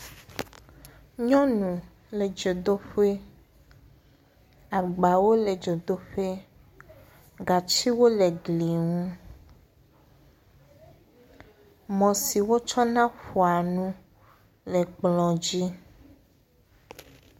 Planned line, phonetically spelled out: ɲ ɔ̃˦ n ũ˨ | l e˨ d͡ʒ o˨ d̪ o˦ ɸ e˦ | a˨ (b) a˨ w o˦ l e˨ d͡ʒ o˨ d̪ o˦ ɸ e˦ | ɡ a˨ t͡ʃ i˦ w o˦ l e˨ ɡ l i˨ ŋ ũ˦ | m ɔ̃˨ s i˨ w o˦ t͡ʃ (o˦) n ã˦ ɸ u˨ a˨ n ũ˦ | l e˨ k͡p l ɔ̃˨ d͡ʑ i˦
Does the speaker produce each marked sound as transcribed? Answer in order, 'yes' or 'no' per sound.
no, no

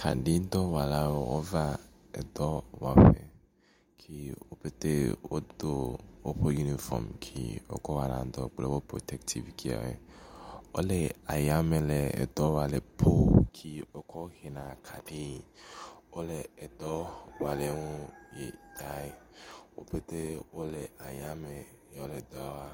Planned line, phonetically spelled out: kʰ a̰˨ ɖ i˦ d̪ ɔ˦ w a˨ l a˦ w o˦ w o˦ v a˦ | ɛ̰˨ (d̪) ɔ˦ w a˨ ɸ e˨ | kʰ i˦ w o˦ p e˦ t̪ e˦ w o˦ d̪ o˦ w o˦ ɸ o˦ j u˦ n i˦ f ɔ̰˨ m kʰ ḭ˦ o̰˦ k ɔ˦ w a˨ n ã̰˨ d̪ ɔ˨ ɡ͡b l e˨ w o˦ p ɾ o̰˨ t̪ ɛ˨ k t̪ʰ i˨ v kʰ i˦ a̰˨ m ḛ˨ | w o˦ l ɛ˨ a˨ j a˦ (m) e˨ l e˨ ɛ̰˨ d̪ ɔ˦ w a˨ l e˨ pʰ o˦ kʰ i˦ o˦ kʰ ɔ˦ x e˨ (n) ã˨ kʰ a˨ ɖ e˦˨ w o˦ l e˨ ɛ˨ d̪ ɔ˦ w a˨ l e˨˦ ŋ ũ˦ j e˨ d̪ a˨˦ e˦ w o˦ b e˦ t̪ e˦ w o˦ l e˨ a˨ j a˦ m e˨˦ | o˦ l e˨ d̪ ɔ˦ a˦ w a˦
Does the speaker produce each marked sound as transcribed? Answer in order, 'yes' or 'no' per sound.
yes, yes, yes

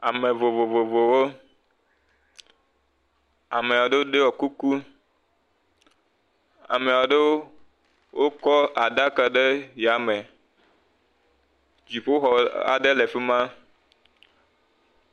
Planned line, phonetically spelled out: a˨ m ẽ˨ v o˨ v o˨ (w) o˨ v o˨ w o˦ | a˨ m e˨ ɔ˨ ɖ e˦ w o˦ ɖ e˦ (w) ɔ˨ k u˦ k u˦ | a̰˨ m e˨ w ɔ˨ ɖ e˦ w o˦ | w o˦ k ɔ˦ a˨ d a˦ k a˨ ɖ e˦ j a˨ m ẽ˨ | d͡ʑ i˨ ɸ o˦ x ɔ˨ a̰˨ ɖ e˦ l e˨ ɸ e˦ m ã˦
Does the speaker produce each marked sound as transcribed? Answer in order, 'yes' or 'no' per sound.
no, yes

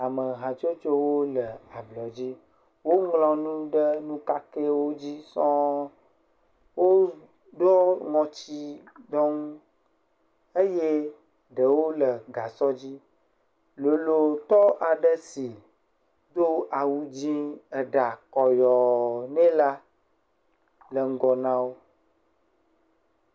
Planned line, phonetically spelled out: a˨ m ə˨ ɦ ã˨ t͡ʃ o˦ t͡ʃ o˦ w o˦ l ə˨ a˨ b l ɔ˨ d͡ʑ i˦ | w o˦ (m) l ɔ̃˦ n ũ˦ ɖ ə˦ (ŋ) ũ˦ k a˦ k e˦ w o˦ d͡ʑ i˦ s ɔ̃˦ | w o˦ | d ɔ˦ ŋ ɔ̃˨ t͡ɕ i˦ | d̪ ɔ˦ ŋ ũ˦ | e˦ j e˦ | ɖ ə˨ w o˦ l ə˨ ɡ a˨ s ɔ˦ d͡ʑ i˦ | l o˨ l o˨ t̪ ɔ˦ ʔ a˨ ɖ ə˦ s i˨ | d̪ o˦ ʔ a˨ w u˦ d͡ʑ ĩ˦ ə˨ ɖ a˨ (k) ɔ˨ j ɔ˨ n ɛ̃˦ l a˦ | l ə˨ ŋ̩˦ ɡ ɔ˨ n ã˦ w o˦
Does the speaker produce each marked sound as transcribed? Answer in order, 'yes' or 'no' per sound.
no, no, yes

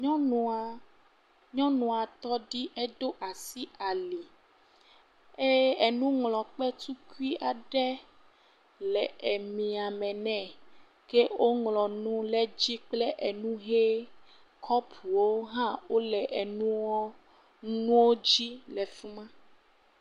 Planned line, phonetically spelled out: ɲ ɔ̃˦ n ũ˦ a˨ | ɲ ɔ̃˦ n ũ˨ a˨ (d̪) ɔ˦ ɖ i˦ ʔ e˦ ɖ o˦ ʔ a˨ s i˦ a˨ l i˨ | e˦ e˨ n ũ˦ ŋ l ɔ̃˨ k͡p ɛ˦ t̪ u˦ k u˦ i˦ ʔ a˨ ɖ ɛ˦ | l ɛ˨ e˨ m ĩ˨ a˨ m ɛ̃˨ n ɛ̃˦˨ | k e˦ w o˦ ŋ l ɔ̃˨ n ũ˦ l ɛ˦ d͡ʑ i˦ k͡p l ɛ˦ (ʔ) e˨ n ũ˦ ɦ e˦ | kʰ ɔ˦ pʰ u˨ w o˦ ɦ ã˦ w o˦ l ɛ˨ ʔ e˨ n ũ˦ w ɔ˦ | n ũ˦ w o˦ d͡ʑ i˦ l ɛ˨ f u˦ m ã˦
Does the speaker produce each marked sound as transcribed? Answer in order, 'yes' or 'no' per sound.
no, yes

